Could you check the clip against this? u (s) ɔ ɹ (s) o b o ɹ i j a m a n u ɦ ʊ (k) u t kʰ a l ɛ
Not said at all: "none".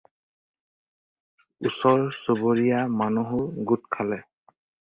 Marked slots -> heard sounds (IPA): s, s, ɡ

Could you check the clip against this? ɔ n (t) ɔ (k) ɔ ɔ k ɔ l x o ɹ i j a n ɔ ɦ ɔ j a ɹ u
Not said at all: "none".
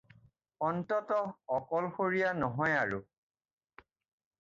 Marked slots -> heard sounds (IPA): t, t

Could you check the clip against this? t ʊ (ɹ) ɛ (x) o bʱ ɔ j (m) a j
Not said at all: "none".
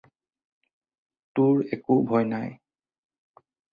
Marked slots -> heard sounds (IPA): ɹ, k, n

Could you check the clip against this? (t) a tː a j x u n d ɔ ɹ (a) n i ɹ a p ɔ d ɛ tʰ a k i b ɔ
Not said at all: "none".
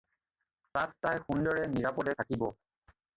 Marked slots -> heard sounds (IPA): t, ɛ

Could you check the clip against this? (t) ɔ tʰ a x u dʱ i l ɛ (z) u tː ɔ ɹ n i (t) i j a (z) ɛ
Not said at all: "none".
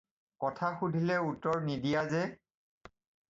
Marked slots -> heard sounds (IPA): k, none, d, z

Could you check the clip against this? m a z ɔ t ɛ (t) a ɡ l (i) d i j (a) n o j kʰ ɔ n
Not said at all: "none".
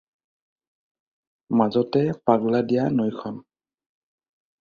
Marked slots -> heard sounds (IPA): p, a, a

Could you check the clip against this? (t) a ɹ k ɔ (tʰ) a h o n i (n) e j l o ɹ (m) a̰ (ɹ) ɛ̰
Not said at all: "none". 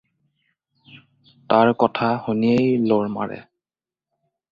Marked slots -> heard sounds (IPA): t, tʰ, none, m, ɹ

